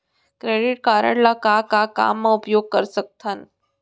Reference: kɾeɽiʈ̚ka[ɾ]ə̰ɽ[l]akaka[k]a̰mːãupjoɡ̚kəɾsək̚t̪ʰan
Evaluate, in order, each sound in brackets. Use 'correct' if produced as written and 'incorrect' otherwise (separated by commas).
correct, correct, correct